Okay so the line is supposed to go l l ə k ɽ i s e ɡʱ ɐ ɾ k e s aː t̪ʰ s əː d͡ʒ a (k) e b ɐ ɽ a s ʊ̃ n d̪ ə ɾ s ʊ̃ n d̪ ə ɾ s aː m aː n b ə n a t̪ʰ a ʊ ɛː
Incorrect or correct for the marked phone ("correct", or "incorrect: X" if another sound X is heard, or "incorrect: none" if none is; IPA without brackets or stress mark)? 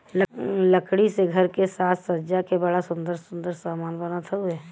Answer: correct